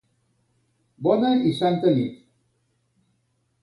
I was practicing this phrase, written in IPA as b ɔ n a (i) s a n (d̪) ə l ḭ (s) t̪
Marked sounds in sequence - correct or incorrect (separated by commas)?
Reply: correct, incorrect, incorrect